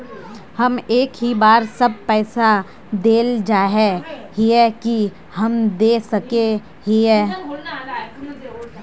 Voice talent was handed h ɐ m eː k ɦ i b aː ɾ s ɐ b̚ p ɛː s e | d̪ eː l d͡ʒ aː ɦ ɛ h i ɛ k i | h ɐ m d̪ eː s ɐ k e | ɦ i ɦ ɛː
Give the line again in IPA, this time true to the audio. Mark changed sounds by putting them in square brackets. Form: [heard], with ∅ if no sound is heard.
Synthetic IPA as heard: h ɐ m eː k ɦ i b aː ɾ s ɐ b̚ p ɛː s [a] | d̪ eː l d͡ʒ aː ɦ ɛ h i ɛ k i | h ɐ m d̪ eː s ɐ k e | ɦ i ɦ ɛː